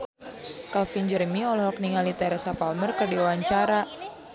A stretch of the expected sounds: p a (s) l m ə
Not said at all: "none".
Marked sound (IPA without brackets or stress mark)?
none